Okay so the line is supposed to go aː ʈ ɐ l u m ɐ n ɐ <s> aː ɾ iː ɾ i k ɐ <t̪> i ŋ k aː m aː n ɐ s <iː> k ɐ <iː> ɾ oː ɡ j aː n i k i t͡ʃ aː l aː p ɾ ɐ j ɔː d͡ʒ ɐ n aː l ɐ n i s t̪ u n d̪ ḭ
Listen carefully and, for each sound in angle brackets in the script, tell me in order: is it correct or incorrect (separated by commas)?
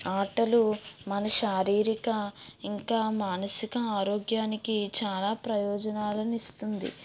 incorrect, incorrect, incorrect, incorrect